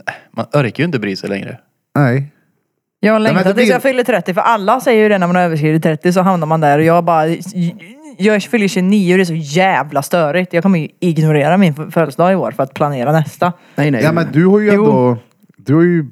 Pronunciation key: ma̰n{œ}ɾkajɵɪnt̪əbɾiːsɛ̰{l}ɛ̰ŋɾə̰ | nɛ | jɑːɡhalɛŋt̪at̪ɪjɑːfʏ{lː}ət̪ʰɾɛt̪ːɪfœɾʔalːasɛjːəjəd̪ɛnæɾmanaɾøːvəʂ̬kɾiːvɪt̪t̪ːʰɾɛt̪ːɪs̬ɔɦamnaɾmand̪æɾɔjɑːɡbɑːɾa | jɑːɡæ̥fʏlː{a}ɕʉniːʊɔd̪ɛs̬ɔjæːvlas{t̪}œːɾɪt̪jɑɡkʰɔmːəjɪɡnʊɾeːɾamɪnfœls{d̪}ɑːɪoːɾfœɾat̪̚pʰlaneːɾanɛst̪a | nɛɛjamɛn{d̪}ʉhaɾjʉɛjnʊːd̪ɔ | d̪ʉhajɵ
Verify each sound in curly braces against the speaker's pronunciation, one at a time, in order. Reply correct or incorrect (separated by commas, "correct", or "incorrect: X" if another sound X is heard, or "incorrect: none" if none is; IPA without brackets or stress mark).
correct, correct, correct, incorrect: ə, correct, correct, correct